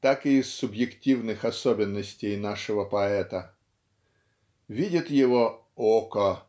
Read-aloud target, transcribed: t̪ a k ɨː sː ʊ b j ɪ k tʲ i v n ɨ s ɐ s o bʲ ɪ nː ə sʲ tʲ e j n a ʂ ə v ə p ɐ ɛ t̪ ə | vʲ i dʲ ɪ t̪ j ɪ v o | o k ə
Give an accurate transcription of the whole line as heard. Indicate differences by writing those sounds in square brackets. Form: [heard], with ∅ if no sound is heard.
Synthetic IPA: t̪ a k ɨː sː ʊ b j ɪ k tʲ i v n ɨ [x] ɐ s o bʲ ɪ nː ə sʲ tʲ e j n a ʂ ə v ə p ɐ ɛ t̪ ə | vʲ i dʲ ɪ t̪ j ɪ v o | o k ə